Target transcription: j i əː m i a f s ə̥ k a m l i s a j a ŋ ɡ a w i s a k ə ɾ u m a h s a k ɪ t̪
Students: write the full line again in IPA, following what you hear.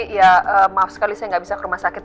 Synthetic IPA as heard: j a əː m a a f s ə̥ k a l i s a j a ŋ ɡ a b i s a k ə ɾ u m a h s a k ɪ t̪